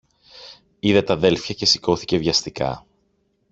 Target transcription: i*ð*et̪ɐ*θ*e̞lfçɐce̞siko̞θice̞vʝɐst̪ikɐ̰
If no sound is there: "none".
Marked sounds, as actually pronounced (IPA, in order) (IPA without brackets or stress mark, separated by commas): ð, ð